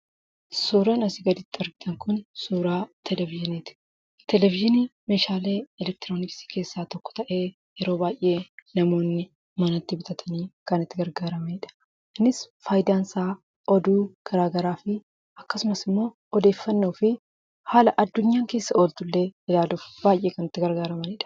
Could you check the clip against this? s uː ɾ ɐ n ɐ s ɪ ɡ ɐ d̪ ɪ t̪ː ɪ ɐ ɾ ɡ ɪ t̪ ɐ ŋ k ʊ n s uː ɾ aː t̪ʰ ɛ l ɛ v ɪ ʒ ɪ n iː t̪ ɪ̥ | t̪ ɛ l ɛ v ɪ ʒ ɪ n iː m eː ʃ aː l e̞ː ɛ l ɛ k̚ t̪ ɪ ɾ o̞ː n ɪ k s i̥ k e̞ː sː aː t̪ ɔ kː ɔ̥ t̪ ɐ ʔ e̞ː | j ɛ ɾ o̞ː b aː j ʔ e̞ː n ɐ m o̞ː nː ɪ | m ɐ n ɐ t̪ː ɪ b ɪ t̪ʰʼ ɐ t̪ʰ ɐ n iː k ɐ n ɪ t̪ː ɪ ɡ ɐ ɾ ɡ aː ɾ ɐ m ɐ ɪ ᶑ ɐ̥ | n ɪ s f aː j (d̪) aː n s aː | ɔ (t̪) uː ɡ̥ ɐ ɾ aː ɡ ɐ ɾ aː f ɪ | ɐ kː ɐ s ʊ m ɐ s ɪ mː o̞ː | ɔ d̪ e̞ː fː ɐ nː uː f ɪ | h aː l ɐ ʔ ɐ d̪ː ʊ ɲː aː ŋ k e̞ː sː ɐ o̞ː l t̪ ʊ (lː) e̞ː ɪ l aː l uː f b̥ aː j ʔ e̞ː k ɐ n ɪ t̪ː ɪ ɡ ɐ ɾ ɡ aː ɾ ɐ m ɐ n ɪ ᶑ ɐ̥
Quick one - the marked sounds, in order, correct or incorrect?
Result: correct, incorrect, correct

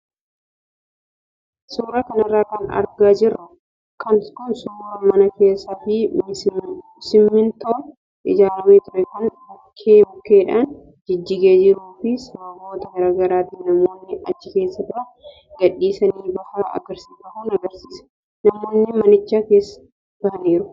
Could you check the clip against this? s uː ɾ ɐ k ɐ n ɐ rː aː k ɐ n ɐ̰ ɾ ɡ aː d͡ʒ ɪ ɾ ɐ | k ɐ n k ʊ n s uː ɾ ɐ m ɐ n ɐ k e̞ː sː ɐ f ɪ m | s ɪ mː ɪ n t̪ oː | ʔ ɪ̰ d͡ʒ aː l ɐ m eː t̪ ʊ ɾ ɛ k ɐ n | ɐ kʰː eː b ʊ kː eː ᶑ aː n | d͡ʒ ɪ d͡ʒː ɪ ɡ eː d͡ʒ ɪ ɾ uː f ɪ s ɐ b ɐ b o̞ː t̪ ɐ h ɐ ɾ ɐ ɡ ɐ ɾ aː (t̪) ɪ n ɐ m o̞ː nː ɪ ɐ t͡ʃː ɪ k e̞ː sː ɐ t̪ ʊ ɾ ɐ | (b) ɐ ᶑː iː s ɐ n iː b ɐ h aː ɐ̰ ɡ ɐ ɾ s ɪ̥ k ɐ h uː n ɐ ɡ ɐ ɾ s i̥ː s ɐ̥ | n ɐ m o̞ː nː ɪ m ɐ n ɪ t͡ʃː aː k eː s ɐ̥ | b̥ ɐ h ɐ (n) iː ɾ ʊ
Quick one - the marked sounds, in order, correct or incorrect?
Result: correct, incorrect, correct

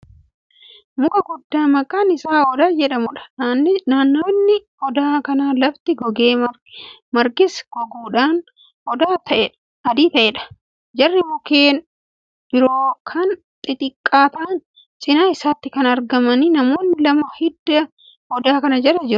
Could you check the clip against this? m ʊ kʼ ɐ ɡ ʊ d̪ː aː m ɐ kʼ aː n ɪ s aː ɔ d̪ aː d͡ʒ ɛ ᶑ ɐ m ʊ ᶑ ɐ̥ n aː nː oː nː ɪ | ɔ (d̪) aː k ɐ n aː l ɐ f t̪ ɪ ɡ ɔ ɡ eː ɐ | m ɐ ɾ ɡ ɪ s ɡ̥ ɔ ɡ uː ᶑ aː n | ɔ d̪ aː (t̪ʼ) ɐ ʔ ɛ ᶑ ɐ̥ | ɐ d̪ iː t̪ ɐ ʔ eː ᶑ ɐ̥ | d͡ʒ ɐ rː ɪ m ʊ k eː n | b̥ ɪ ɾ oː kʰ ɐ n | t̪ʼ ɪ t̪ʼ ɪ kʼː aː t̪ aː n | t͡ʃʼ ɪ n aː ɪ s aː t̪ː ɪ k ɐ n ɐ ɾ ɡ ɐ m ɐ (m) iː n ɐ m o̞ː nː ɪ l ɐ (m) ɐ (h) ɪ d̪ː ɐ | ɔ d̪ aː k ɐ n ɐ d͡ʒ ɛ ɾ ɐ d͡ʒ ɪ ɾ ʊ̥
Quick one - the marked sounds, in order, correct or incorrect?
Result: correct, incorrect, incorrect, correct, correct

